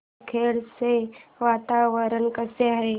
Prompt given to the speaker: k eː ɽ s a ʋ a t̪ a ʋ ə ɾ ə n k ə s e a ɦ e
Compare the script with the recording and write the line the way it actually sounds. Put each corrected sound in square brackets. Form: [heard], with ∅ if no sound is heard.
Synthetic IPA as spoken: [kʰ] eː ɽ s [e] ʋ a t̪ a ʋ ə ɾ ə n k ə s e a ɦ e